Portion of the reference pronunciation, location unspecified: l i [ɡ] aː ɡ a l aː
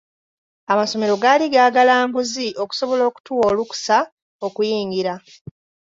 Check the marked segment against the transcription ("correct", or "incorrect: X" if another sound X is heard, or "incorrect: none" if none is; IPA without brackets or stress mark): correct